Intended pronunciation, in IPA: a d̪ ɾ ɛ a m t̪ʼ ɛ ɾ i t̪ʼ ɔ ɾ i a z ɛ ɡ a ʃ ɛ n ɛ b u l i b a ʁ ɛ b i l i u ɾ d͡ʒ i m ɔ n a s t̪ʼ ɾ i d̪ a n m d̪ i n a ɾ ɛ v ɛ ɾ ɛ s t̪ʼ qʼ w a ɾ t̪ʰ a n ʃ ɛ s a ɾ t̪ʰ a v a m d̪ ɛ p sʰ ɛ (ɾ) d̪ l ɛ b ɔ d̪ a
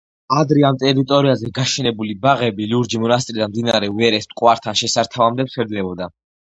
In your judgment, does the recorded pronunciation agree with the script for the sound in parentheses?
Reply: yes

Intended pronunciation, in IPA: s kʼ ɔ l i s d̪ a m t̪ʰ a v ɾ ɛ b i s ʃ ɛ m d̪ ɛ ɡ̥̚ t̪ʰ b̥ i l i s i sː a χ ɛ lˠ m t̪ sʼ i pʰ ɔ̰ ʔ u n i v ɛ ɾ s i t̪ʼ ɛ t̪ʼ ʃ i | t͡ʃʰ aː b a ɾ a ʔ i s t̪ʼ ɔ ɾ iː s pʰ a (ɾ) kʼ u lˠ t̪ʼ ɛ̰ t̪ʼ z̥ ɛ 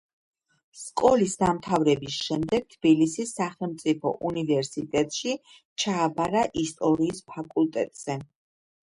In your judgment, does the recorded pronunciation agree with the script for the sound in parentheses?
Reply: no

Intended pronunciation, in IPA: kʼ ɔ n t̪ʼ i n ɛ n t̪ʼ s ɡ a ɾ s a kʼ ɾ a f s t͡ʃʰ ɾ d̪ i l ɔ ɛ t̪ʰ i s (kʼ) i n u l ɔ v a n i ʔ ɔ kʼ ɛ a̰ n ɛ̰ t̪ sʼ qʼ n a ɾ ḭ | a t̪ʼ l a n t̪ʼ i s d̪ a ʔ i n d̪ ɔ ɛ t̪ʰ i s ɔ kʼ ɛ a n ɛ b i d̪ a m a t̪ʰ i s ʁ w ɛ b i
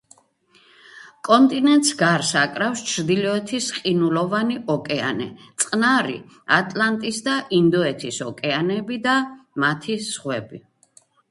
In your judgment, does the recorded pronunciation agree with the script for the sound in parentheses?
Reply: no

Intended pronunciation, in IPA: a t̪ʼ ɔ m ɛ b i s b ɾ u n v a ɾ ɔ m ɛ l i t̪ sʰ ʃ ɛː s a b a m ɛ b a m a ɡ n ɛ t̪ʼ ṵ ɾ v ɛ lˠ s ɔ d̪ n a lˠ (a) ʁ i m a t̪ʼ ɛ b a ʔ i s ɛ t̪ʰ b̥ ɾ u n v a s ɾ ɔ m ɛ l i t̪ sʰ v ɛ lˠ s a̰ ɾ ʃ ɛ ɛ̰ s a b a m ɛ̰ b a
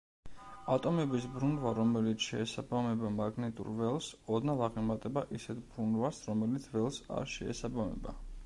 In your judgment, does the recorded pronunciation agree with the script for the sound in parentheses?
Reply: yes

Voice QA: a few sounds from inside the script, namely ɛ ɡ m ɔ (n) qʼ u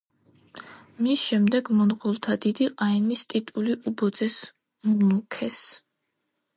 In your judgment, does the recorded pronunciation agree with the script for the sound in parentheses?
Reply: yes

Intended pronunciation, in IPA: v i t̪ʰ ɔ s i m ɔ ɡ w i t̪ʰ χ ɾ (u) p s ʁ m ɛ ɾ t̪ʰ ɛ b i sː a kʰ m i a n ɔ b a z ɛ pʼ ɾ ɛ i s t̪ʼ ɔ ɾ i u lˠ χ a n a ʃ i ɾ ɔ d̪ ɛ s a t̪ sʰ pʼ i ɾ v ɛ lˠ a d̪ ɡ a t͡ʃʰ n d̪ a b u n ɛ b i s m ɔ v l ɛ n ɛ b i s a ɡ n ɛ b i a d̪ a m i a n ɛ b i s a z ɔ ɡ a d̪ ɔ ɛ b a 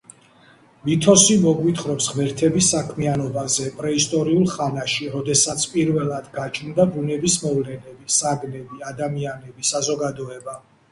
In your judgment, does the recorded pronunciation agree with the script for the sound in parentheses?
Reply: no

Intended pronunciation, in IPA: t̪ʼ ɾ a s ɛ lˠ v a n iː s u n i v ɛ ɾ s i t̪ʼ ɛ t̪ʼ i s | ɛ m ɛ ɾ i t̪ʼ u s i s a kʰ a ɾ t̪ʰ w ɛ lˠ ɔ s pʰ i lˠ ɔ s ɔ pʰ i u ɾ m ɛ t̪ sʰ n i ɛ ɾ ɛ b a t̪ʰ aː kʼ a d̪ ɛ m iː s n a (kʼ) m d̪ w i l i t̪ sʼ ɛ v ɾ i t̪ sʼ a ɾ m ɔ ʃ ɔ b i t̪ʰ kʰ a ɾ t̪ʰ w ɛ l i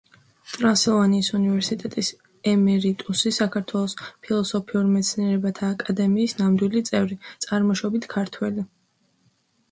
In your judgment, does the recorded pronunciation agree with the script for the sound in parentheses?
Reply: no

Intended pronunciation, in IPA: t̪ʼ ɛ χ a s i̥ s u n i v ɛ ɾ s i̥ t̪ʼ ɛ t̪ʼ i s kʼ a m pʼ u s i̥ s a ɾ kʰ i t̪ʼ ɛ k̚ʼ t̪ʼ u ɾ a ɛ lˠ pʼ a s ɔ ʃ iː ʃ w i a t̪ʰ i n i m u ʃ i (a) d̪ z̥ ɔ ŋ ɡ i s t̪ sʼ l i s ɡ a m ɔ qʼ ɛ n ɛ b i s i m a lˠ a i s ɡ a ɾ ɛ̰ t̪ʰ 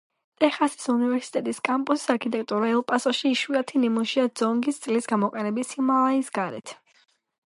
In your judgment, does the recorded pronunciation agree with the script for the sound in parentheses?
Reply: yes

